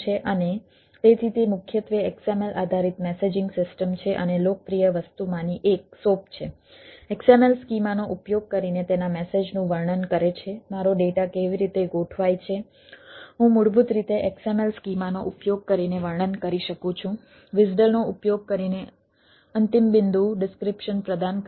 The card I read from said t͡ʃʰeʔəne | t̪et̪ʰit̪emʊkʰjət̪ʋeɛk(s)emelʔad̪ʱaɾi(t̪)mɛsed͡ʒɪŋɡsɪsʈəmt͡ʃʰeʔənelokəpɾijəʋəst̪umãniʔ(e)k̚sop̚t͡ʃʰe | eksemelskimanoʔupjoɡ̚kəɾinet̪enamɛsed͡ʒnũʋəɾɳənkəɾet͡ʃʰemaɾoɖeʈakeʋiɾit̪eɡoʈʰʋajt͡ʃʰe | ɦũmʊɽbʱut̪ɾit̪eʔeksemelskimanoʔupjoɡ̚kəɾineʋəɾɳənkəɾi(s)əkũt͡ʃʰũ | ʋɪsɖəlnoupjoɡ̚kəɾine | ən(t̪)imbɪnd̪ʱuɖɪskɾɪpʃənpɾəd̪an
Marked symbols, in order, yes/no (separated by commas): yes, yes, yes, no, yes